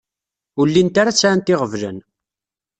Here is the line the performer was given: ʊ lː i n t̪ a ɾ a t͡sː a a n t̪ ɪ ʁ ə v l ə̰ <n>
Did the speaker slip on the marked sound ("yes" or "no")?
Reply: no